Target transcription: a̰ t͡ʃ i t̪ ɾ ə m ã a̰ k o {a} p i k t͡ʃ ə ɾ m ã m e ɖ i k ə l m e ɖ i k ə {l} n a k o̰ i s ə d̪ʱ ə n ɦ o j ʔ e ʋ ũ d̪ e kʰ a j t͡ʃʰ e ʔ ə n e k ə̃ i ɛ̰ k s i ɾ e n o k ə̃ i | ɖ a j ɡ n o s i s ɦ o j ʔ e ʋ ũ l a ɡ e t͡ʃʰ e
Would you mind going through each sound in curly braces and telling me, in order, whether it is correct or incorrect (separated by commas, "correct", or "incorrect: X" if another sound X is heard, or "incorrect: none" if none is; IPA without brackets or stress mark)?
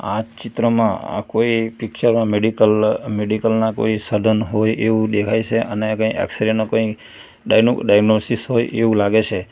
incorrect: i, correct